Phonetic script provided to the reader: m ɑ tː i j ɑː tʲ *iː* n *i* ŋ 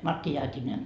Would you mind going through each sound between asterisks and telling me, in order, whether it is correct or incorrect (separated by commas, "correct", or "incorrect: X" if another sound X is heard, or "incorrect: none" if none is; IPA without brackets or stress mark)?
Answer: incorrect: i, incorrect: e